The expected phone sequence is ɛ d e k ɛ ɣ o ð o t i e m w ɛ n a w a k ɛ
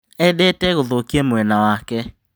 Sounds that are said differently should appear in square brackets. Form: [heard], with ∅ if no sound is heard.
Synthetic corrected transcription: ɛ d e [t] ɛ ɣ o ð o [k] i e m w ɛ n a w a k ɛ